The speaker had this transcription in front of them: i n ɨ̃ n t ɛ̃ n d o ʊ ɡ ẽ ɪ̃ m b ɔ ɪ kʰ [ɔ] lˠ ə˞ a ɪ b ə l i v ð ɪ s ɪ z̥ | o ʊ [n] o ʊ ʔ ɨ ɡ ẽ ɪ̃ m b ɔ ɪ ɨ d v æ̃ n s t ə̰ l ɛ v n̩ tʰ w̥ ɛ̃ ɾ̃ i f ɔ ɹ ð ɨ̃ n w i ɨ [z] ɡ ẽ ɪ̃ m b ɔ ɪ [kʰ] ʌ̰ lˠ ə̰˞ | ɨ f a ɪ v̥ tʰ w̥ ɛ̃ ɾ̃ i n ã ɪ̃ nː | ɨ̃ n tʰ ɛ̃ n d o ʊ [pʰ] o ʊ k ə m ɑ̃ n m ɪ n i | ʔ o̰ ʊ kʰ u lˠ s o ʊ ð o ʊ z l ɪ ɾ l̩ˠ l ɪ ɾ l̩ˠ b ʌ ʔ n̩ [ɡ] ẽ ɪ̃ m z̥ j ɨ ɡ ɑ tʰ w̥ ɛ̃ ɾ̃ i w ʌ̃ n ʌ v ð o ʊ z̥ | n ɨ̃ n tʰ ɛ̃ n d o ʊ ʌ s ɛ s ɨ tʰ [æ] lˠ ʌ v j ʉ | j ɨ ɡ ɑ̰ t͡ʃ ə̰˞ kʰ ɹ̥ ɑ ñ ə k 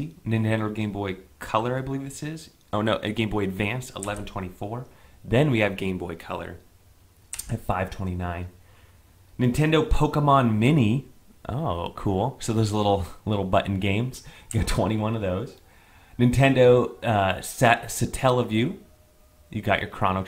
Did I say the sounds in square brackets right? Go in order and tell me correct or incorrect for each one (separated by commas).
incorrect, correct, incorrect, correct, correct, correct, incorrect